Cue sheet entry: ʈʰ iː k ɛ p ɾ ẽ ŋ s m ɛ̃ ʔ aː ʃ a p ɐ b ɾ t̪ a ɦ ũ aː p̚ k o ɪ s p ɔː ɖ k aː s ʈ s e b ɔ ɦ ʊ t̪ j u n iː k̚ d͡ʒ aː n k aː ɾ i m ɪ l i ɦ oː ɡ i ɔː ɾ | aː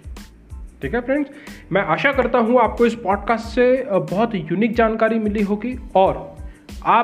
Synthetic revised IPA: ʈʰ iː k ɛ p ɾ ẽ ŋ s m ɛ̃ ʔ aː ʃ a k ɐ ɾ t̪ a ɦ ũ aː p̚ k o ɪ s p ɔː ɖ k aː s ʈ s e b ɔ ɦ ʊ t̪ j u n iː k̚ d͡ʒ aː n k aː ɾ i m ɪ l i ɦ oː ɡ i ɔː ɾ | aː